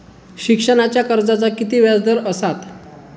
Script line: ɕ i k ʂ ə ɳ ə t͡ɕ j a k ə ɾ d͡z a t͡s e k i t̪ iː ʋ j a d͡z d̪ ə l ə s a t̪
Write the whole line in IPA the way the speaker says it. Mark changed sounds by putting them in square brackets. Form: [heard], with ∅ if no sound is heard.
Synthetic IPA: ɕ i k ʂ ə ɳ [a] t͡ɕ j a k ə ɾ d͡z a t͡s [a] k i t̪ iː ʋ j a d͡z d̪ ə [ɾ] ə s a t̪